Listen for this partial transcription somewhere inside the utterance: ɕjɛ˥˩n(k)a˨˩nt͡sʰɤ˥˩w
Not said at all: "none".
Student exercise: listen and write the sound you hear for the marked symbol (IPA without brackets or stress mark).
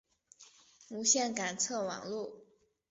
k